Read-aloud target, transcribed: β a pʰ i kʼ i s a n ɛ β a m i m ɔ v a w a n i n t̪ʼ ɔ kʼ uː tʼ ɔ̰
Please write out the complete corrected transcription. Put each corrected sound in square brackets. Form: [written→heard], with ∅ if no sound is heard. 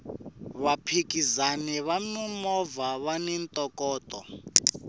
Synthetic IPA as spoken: β a pʰ i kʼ i [s→z] a n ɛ β a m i m ɔ v a [w→β] a n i n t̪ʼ ɔ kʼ [uː→ɔː] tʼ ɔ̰